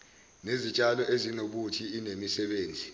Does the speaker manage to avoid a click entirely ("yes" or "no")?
yes